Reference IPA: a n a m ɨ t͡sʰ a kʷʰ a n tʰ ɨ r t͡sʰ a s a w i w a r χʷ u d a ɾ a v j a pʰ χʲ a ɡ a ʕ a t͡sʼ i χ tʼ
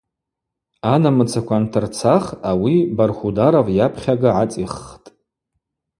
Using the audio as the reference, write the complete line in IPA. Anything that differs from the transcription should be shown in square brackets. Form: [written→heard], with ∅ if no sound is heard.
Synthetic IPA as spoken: a n a m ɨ t͡sʰ a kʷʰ a n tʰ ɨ r t͡sʰ a [s→χ] a w i [w→b] a r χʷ u d a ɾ a v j a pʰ χʲ a ɡ a ʕ a t͡sʼ i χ tʼ